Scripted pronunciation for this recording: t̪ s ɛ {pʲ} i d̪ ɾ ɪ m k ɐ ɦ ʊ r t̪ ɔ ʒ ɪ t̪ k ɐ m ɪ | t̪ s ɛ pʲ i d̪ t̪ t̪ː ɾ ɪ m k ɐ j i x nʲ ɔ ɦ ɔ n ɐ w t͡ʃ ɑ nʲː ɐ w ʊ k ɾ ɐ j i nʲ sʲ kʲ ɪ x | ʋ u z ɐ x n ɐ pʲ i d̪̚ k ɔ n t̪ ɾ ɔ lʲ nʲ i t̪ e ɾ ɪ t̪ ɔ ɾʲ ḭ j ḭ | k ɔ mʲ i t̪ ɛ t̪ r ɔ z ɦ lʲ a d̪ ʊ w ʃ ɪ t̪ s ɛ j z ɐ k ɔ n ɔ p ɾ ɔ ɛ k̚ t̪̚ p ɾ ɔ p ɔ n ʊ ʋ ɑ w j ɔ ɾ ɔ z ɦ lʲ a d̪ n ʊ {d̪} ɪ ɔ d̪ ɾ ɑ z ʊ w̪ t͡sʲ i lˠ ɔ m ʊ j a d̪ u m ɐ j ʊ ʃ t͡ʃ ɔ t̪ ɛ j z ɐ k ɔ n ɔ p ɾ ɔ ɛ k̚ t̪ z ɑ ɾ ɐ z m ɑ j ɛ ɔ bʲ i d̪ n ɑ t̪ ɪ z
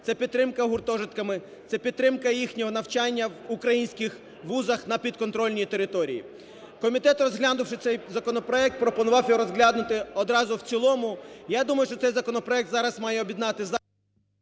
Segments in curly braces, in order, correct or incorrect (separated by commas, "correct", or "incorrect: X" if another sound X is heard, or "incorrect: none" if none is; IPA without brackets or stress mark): correct, incorrect: t̪